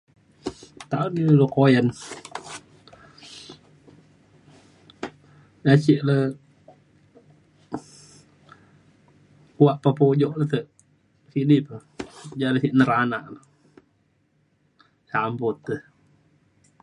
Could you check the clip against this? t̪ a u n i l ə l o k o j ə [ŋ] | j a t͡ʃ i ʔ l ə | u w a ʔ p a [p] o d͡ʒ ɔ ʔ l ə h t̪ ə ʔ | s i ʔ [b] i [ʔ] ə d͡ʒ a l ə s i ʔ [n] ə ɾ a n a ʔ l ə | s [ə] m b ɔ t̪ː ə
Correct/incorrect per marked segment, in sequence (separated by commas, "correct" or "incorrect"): incorrect, correct, incorrect, incorrect, correct, incorrect